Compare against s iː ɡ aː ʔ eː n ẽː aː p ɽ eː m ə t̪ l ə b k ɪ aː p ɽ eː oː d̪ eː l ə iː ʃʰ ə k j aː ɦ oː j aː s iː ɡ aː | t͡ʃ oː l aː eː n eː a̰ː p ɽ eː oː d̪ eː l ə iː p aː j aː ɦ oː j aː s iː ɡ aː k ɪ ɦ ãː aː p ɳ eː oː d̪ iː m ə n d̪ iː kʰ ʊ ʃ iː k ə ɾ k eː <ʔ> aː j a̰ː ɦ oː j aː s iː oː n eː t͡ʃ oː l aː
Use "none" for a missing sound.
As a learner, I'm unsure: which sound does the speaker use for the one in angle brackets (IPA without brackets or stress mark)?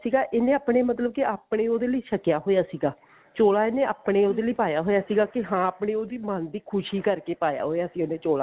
p